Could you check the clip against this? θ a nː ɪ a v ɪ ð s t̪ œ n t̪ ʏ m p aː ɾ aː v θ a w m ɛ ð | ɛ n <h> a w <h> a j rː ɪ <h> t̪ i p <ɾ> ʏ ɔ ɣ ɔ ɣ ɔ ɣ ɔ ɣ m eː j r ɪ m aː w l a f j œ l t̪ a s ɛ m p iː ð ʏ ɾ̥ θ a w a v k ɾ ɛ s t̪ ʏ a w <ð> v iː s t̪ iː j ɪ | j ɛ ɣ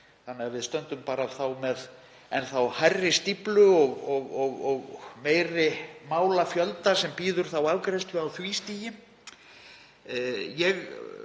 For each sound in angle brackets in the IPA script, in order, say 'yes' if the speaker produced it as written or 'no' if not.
no, yes, no, no, no

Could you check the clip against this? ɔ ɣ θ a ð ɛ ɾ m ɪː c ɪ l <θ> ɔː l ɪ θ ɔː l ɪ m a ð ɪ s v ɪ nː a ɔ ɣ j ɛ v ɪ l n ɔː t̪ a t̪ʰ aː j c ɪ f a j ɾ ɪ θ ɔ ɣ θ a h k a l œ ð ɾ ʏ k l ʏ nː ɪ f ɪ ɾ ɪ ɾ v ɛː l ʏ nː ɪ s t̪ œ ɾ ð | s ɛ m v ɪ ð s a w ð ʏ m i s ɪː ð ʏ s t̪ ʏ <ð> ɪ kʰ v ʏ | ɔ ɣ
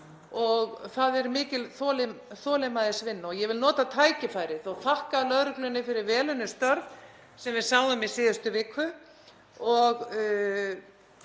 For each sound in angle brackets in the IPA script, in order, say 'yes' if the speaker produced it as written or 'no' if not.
yes, no

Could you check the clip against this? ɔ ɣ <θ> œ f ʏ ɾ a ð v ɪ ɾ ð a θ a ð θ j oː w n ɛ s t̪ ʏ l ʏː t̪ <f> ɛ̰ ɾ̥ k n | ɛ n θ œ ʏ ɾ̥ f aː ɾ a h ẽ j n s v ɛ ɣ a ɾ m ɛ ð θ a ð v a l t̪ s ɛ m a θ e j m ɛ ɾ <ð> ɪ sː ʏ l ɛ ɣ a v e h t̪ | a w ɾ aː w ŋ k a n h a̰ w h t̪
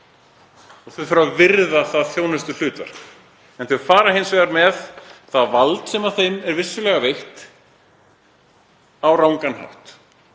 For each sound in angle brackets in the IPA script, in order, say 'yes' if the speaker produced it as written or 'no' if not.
yes, no, no

